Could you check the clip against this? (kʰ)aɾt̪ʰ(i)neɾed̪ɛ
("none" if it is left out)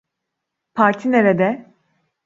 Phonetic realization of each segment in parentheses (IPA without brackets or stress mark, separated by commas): pʰ, i